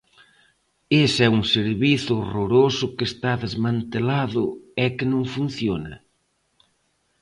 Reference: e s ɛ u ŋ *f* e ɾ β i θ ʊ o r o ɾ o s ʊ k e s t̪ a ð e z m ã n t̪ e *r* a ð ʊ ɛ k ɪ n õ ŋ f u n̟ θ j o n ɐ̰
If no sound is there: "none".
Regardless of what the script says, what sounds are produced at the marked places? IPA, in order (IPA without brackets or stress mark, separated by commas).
s, l